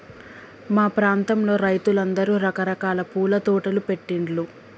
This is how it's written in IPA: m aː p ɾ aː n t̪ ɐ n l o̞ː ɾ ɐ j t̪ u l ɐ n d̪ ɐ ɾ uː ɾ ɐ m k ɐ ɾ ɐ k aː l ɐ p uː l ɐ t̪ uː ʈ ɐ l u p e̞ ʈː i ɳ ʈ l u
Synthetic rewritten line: m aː p ɾ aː n t̪ ɐ m l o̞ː ɾ ɐ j t̪ u l ɐ n d̪ ɐ ɾ uː ɾ ɐ k ɐ ɾ ɐ k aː l ɐ p uː l ɐ t̪ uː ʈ ɐ l u p e̞ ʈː i ɳ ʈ l u